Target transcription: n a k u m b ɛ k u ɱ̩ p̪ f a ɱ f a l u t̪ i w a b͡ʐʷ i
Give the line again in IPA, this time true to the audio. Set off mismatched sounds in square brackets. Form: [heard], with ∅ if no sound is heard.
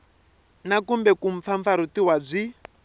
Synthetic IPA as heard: n a k u m b ɛ k u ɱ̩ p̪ f a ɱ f a [ɾ] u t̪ i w a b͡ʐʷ i